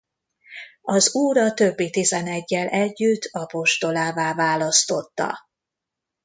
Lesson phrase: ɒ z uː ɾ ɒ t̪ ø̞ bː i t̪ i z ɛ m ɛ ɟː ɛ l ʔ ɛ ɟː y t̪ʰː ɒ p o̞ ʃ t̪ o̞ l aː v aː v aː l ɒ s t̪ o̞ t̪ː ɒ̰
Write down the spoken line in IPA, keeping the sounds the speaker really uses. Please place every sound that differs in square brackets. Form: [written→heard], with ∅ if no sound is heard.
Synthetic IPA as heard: ɒ z uː ɾ ɒ t̪ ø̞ bː i t̪ i z ɛ [m→n] ɛ ɟː ɛ l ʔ ɛ ɟː y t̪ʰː ɒ p o̞ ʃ t̪ o̞ l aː v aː v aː l ɒ s t̪ o̞ t̪ː ɒ̰